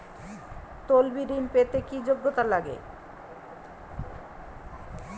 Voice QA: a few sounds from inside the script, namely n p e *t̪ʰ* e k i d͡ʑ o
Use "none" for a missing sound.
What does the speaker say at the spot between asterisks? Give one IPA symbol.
t̪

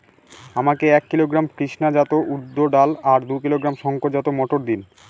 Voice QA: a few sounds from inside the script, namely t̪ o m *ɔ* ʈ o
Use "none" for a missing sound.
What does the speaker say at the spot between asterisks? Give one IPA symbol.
ɔ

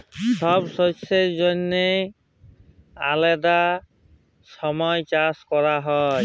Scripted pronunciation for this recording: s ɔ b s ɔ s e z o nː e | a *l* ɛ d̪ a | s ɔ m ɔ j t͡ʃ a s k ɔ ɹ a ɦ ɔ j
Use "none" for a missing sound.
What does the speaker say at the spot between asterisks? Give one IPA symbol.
l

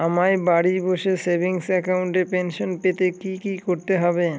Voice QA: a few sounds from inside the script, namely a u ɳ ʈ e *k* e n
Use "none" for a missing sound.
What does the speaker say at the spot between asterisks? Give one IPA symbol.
p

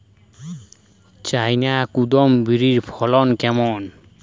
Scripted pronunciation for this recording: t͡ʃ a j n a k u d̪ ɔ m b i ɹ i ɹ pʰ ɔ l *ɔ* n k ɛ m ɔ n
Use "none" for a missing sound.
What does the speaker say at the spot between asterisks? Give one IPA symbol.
ɔ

